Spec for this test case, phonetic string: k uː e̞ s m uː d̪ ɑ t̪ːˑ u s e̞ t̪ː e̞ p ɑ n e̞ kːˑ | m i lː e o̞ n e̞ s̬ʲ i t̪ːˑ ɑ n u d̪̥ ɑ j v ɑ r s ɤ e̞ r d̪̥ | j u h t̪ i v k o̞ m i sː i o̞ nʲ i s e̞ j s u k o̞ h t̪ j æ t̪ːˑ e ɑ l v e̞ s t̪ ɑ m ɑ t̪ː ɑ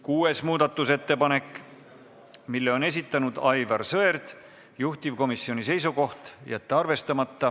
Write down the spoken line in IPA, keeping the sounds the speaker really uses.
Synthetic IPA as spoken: k uː e̞ s m uː d̪ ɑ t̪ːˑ u s e̞ t̪ː e̞ p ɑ n e̞ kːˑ | m i lː e o̞ n e̞ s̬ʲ i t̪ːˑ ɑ n u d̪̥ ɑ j v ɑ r s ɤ e̞ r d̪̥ | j u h t̪ i v k o̞ m i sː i o̞ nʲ i s e̞ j s u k o̞ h t̪ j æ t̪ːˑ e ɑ r v e̞ s t̪ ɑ m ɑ t̪ː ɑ